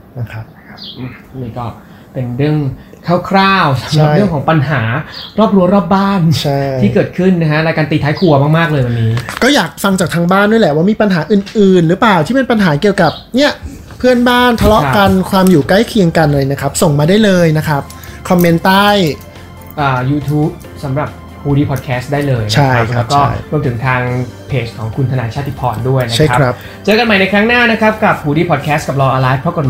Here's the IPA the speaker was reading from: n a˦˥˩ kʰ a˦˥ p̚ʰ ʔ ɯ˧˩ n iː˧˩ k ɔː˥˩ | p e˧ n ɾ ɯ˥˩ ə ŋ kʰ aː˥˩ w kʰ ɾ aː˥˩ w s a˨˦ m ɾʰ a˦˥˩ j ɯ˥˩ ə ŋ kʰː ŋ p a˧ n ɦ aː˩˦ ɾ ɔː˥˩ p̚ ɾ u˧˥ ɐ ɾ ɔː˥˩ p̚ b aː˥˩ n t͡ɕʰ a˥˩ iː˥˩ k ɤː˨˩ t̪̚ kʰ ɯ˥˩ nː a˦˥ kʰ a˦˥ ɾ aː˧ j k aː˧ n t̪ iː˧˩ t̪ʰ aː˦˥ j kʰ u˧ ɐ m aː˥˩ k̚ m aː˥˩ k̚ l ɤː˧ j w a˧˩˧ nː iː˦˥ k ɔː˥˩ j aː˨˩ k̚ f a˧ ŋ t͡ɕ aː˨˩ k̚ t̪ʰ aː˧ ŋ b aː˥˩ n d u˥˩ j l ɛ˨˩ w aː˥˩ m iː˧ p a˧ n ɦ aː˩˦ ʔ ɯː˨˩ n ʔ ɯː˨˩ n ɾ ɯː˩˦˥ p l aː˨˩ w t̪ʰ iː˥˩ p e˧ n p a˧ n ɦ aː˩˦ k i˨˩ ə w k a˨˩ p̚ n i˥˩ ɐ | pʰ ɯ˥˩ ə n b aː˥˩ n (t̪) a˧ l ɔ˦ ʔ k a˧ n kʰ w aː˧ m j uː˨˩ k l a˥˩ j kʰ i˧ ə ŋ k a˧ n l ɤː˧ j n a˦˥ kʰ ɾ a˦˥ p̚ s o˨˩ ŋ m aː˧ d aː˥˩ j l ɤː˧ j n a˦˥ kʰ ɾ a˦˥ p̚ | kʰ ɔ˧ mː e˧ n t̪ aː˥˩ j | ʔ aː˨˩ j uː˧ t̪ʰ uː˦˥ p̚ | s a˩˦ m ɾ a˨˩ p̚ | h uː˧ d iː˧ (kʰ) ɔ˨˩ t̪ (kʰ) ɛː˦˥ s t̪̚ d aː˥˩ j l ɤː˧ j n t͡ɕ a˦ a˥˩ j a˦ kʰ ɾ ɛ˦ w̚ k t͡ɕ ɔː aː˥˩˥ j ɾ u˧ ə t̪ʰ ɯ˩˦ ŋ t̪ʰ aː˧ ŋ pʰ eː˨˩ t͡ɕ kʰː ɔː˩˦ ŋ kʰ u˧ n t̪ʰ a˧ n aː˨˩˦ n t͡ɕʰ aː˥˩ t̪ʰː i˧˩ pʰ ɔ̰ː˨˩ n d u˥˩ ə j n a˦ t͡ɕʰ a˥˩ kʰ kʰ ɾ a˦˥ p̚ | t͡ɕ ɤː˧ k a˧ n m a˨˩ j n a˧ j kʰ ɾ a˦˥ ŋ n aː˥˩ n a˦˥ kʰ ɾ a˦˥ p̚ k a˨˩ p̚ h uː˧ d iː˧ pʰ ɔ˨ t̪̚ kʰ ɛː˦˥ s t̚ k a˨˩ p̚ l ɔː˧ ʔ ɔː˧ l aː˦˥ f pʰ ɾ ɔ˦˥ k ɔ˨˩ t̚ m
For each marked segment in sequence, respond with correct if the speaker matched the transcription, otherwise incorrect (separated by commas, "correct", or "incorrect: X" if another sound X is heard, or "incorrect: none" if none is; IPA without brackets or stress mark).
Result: incorrect: t̪ʰ, incorrect: pʰ, correct